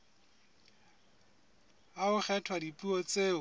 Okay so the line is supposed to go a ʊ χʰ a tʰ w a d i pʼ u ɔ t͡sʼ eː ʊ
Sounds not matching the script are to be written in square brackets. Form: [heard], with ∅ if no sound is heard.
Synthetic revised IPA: a ʊ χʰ [ɛ] tʰ w a d i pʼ u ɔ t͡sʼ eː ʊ